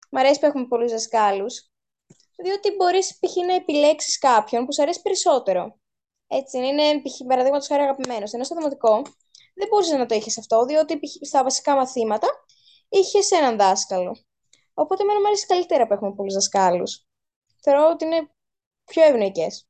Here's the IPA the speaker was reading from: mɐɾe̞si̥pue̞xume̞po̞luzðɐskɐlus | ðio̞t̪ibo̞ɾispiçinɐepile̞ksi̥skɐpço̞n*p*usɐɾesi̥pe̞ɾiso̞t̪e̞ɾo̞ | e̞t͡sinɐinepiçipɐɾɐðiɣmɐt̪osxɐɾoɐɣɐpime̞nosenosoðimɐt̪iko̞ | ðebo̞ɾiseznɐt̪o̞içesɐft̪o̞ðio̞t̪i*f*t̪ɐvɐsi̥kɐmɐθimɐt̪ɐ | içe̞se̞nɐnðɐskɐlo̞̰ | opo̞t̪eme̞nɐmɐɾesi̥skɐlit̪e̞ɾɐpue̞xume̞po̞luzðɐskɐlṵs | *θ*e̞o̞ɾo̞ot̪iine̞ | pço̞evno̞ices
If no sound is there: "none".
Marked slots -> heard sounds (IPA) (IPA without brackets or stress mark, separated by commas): p, s, θ